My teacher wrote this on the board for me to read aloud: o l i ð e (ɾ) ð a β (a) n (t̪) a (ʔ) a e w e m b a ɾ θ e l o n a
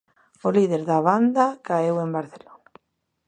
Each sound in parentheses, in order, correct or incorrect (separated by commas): correct, correct, incorrect, incorrect